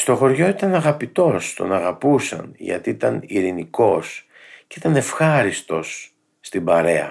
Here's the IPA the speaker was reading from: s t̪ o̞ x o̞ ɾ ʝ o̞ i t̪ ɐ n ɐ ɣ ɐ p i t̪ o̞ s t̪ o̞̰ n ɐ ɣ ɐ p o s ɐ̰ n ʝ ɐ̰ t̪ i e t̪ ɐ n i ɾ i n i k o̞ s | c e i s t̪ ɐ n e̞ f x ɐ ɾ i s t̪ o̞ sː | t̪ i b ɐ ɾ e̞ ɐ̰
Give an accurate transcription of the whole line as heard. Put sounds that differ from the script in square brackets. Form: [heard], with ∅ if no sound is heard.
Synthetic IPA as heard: s t̪ o̞ x o̞ ɾ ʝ o̞ i t̪ ɐ n ɐ ɣ ɐ p i t̪ o̞ s t̪ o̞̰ n ɐ ɣ ɐ p [u] s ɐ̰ n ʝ ɐ̰ t̪ i [i] t̪ ɐ n i ɾ i n i k o̞ s | c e i [∅] t̪ ɐ n e̞ f x ɐ ɾ i s t̪ o̞ sː | t̪ i b ɐ ɾ e̞ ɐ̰